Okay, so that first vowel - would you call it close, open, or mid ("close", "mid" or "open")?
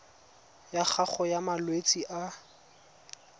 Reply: open